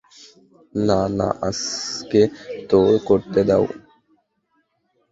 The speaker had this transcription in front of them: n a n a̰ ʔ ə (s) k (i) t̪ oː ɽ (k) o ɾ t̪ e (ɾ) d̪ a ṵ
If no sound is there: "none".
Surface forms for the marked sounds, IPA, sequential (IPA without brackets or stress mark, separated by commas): s, e, k, none